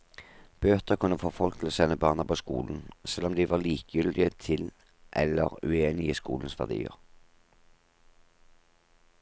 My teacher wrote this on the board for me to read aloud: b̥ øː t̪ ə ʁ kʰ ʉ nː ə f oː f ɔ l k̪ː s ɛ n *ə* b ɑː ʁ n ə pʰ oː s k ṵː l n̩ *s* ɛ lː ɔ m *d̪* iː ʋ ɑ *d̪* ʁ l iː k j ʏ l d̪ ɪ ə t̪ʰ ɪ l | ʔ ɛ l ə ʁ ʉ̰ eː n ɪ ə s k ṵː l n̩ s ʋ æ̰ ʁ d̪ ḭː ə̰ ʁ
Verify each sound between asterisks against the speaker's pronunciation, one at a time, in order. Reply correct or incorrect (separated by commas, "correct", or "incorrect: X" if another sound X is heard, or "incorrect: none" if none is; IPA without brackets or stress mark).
correct, correct, correct, incorrect: none